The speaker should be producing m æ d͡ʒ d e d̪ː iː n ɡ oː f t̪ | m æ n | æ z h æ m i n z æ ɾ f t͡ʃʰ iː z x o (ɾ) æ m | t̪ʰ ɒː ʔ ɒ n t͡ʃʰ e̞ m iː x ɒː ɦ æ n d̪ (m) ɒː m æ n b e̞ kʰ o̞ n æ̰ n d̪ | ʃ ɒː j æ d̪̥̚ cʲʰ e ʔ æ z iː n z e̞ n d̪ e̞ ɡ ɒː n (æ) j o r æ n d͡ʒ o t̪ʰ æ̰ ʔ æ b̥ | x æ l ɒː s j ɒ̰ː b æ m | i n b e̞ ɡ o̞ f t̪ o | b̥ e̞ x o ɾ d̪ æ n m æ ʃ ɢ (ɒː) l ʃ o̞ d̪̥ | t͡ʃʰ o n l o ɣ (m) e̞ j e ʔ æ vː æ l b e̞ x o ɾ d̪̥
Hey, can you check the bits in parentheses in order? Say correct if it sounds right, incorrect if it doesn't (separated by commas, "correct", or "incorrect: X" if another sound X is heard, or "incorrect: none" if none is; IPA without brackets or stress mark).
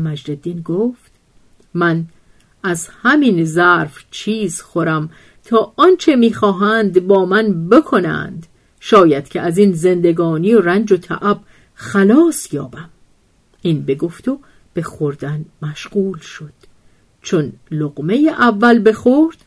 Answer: correct, incorrect: b, incorrect: i, incorrect: uː, correct